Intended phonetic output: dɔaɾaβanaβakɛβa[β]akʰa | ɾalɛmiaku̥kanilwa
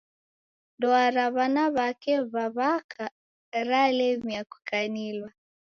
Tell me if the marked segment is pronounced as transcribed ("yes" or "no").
yes